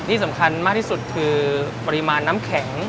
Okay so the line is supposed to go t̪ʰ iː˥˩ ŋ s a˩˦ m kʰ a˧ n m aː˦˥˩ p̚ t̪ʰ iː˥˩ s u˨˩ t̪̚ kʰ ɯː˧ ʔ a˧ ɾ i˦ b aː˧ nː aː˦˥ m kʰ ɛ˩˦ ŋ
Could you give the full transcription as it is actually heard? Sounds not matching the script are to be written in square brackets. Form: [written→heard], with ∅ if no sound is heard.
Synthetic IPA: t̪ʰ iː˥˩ [ŋ→∅] s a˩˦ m kʰ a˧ n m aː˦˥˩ [p̚→k̚] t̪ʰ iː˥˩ s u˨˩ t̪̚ kʰ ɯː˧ [ʔ→p] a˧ ɾ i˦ [b→m] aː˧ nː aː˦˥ m kʰ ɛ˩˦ ŋ